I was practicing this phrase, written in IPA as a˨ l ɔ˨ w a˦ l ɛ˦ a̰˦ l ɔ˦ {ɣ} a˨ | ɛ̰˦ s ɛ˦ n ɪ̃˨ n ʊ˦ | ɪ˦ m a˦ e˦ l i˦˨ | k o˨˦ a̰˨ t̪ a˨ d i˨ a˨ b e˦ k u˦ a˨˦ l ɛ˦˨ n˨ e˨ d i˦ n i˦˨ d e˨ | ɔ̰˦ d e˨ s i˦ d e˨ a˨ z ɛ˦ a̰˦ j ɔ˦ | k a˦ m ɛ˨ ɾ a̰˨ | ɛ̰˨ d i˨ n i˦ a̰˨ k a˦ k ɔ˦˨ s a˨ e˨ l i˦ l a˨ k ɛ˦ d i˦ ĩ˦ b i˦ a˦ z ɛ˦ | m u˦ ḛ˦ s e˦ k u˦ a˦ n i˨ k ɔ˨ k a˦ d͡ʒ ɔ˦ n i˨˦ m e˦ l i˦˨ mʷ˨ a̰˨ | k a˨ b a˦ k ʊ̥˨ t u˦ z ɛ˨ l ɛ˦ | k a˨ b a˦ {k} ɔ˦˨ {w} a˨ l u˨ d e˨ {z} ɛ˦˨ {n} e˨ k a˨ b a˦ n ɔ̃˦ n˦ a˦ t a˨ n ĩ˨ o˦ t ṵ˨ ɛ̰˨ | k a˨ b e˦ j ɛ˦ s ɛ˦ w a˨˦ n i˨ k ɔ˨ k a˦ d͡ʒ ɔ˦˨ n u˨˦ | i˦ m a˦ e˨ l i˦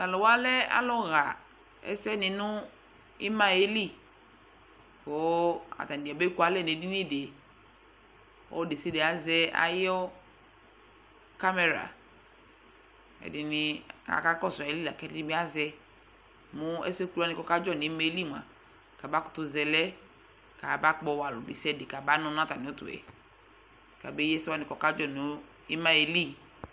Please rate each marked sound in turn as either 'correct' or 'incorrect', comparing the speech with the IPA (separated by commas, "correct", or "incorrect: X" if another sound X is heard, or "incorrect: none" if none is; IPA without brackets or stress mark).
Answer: correct, incorrect: k͡p, correct, incorrect: s, incorrect: d